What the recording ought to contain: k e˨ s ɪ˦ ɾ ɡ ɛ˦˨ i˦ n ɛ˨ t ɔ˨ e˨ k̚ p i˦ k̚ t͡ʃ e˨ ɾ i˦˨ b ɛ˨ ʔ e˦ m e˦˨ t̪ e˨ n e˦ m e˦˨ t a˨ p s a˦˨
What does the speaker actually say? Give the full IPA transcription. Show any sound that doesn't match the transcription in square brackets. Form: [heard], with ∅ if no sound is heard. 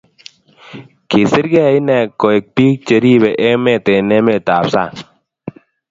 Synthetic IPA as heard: k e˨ s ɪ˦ ɾ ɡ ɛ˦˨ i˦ n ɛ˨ [k] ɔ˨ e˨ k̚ p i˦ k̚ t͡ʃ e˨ ɾ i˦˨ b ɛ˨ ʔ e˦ m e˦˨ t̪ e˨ n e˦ m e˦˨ t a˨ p s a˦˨